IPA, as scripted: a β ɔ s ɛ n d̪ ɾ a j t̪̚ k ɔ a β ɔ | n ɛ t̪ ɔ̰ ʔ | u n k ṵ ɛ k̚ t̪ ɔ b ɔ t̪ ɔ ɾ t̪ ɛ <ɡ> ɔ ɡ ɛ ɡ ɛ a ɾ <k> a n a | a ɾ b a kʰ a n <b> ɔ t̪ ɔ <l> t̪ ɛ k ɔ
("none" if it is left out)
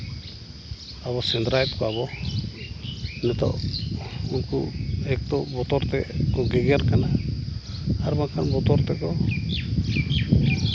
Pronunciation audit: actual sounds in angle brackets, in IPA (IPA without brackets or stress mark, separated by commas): k, k, b, ɾ